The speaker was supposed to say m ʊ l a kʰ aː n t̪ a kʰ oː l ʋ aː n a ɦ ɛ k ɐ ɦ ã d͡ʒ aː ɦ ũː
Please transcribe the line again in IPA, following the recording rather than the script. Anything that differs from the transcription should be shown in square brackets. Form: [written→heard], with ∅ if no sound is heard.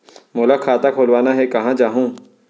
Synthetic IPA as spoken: m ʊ l a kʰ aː [n→∅] t̪ a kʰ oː l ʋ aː n a ɦ ɛ k ɐ ɦ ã d͡ʒ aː ɦ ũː